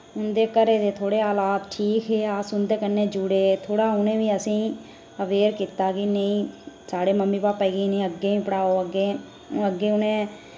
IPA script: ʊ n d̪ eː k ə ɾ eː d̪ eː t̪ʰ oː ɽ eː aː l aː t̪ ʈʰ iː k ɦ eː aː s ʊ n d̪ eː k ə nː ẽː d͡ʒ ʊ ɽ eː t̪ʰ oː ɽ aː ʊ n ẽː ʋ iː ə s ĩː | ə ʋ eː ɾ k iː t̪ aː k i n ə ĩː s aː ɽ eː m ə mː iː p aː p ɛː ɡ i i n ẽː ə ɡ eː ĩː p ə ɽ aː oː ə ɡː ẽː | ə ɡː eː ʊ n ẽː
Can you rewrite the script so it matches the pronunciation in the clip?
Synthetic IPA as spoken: ʊ n d̪ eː k ə ɾ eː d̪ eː t̪ʰ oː ɽ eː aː l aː t̪ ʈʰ iː k ɦ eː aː s ʊ n d̪ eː k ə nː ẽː d͡ʒ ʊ ɽ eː t̪ʰ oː ɽ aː ʊ n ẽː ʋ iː ə s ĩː | ə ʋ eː ɾ k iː t̪ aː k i n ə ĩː s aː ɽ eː m ə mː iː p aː p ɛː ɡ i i n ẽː ə ɡ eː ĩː p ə ɽ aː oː ə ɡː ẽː | ə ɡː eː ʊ n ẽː